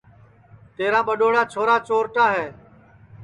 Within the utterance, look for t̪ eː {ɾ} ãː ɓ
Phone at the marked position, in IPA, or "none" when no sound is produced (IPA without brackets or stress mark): ɾ